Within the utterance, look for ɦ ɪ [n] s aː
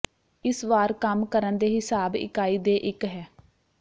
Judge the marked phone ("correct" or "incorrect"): incorrect